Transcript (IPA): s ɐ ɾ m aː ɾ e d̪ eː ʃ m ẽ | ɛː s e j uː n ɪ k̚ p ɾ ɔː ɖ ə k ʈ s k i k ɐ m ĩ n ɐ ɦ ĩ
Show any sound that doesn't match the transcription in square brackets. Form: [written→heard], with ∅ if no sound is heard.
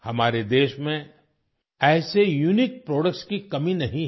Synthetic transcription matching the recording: [s→h] ɐ [ɾ→∅] m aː ɾ e d̪ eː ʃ m ẽ | ɛː s e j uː n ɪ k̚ p ɾ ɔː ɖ ə k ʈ s k i k ɐ m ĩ n ɐ ɦ ĩ